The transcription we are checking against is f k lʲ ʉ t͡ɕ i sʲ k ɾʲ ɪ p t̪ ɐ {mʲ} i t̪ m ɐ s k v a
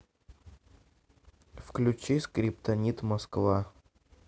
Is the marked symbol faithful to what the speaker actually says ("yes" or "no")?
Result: no